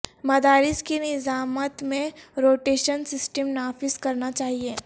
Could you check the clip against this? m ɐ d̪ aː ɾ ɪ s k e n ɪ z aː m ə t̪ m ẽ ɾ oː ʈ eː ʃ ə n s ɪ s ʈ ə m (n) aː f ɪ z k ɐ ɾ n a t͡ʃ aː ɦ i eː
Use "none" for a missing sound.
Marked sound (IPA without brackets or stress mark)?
n